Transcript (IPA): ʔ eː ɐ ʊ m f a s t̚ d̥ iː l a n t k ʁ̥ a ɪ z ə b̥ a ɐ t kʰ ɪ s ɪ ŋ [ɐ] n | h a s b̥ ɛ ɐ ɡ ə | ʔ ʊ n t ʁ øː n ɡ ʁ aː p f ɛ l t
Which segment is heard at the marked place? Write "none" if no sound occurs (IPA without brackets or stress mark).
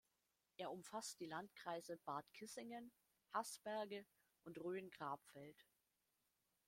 ə